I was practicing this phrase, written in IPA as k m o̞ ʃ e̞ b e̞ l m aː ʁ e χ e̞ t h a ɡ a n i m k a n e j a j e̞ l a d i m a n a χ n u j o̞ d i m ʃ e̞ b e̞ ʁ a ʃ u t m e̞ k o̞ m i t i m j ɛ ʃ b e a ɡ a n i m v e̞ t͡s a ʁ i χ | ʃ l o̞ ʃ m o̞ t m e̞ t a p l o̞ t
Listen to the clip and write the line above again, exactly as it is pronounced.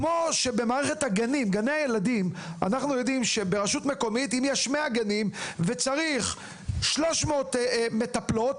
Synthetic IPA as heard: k m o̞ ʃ e̞ b e̞ m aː ʁ e χ e̞ t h a ɡ a n i m ɡ a n e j a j e̞ l a d i m a n a χ n u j o̞ d i m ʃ e̞ b e̞ ʁ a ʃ u t m e̞ k o̞ m i t i m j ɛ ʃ m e a ɡ a n i m v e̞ t͡s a ʁ i χ | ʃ l o̞ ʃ m o̞ t m e̞ t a p l o̞ t